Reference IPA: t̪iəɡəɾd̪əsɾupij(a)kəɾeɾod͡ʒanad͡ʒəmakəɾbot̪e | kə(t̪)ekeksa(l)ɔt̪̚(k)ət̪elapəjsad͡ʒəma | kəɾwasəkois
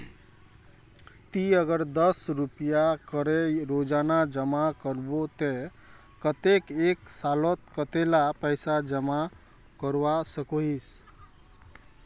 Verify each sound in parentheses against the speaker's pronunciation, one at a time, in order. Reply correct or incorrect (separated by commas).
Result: correct, correct, correct, correct